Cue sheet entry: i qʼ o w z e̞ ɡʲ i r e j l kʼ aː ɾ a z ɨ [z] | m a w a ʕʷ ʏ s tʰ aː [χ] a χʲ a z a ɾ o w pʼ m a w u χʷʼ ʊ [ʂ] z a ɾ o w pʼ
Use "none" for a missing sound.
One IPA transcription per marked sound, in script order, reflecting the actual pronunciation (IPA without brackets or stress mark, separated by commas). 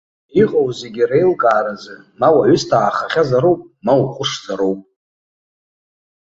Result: none, χ, ʂ